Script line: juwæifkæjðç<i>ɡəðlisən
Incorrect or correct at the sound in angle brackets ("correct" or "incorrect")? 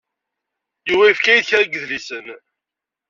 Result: incorrect